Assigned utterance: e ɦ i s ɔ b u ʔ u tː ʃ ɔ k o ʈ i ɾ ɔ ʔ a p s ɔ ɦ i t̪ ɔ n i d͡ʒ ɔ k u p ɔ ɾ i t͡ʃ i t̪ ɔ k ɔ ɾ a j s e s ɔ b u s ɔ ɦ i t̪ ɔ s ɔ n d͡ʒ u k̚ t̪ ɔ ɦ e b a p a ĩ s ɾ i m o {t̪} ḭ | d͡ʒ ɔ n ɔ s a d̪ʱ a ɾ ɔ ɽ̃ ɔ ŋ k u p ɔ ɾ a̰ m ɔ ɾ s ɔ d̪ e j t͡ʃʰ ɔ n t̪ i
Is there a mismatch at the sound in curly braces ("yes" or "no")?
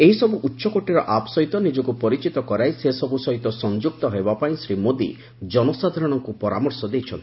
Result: yes